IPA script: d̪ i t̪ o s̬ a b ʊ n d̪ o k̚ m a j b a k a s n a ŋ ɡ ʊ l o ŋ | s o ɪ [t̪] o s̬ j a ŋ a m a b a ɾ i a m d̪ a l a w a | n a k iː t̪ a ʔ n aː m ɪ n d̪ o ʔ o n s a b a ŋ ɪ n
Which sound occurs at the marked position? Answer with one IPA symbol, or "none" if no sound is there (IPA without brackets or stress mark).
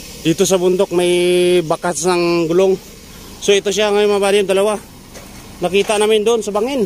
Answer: t̪